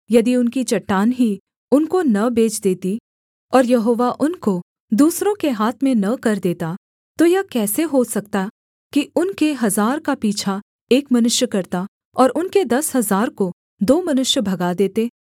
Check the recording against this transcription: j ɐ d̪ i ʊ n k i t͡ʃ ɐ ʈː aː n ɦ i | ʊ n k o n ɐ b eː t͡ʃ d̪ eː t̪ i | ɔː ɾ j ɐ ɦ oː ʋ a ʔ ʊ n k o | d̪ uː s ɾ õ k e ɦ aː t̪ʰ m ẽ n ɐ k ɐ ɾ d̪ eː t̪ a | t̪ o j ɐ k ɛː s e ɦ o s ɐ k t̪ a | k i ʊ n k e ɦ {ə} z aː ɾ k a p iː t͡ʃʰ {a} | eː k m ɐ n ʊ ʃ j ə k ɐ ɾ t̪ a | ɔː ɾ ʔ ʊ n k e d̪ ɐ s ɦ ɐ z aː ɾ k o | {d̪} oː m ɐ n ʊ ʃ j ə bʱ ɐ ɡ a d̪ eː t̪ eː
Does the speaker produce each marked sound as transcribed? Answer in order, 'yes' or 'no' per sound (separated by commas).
no, yes, yes